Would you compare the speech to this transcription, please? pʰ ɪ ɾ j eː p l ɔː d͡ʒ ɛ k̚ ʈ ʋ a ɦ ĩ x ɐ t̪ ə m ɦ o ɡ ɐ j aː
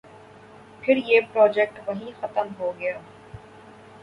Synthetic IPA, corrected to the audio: pʰ ɪ ɾ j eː p ɾ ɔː d͡ʒ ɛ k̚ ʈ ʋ ɐ ɦ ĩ x ɐ t̪ ə m ɦ o ɡ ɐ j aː

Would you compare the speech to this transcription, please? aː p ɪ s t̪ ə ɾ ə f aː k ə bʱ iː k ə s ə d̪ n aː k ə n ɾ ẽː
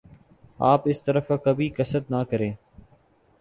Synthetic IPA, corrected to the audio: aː p ɪ s t̪ ə ɾ ə f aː k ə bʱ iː k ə s ə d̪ n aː k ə ɾ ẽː

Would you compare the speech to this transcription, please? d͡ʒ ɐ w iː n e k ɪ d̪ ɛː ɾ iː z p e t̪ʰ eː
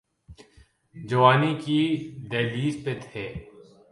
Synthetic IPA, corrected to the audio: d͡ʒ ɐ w aː n i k i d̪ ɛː l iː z p e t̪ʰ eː

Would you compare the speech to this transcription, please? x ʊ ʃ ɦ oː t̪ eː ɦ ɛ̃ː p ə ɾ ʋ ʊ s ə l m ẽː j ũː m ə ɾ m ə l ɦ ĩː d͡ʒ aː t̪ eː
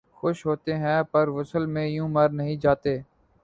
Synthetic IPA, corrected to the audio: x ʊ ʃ ɦ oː t̪ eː ɦ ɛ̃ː p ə ɾ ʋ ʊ s ə l m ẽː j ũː m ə ɾ n ə ɦ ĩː d͡ʒ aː t̪ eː

